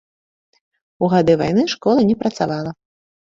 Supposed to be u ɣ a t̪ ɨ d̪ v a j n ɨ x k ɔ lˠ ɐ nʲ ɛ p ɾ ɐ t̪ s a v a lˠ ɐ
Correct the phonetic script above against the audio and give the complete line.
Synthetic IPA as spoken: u ɣ a d̪ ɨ v a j n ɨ ʂ k ɔ lˠ ɐ nʲ ɛ p ɾ ɐ t̪ s a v a lˠ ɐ